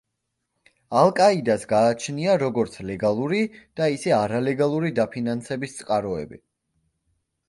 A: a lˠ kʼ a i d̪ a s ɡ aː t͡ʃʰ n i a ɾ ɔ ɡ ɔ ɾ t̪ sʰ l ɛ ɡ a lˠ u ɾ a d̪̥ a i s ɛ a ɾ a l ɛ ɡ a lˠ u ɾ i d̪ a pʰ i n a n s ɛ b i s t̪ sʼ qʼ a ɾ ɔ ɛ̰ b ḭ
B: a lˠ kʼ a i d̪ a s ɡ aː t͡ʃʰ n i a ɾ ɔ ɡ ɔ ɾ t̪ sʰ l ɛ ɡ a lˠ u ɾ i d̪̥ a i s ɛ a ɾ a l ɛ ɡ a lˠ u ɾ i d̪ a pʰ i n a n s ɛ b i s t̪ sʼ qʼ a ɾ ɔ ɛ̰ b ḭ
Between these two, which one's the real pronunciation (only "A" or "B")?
B